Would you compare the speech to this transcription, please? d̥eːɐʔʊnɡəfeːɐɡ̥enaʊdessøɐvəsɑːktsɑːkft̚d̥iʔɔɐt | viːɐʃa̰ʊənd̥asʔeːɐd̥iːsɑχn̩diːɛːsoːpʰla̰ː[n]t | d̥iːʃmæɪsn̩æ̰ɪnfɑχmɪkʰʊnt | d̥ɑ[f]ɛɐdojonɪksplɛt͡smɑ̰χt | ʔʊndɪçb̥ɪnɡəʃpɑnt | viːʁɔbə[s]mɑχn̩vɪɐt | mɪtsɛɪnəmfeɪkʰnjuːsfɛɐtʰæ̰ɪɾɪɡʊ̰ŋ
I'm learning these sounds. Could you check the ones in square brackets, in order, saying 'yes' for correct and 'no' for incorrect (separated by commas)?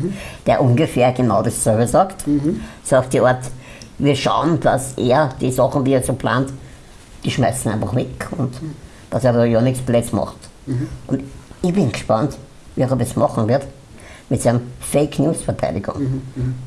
yes, no, yes